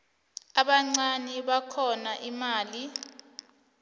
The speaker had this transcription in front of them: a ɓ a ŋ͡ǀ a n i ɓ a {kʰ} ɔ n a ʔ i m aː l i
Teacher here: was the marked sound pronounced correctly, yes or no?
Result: yes